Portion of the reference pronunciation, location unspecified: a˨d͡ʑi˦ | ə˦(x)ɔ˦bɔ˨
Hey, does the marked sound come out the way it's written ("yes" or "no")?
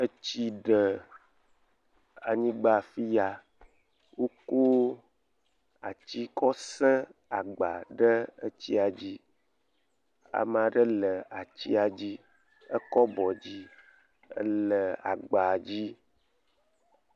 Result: no